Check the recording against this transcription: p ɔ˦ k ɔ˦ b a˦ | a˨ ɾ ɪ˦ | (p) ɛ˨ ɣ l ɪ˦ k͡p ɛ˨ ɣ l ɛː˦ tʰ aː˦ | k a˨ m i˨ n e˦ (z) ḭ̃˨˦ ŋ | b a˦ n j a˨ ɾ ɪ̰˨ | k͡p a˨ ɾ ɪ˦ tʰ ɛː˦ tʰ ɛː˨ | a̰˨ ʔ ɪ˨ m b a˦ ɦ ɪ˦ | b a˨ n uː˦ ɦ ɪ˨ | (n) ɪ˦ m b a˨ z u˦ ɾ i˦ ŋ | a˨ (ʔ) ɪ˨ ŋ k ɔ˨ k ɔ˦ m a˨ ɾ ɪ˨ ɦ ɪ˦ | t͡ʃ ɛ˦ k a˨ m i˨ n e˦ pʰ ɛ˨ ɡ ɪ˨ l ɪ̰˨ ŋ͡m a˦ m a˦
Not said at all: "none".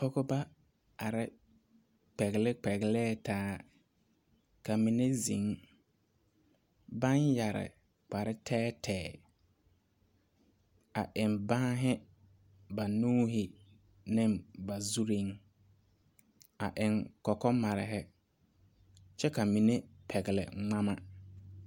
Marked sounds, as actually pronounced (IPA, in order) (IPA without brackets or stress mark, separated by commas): k͡p, z, n, ʔ